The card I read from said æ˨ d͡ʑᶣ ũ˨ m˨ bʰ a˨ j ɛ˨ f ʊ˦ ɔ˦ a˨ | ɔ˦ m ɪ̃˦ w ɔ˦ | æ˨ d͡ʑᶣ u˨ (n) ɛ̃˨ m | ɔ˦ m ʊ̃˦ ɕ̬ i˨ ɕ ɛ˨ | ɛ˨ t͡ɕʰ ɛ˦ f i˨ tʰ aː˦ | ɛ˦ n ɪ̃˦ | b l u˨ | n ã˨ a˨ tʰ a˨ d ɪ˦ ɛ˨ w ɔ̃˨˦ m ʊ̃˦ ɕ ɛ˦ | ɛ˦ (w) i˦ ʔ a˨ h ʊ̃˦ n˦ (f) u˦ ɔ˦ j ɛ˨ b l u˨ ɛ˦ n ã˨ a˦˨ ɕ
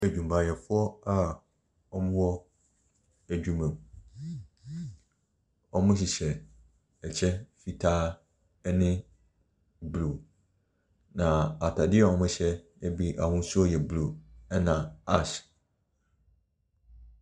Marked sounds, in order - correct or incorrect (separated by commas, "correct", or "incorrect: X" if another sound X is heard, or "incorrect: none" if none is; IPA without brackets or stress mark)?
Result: incorrect: m, incorrect: b, incorrect: s